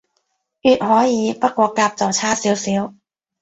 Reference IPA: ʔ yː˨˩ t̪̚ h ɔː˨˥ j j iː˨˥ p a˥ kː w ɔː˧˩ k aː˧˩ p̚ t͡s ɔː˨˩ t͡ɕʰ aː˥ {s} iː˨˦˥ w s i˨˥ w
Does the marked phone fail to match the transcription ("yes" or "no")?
no